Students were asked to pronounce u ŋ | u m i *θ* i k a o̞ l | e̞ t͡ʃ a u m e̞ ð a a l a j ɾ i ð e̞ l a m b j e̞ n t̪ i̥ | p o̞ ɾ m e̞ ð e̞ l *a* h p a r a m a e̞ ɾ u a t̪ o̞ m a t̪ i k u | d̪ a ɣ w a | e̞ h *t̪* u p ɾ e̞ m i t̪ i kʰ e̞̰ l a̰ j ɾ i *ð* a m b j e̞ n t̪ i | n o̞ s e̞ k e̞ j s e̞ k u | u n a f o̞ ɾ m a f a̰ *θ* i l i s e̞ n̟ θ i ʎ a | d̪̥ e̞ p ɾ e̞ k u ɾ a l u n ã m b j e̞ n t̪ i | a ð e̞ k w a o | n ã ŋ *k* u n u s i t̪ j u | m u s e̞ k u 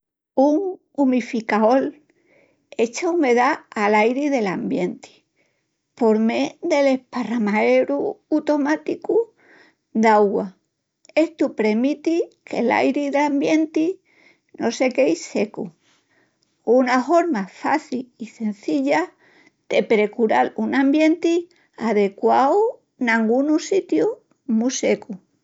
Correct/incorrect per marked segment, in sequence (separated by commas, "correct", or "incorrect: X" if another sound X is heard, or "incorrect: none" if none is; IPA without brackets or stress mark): incorrect: f, incorrect: e, correct, correct, correct, incorrect: ɡ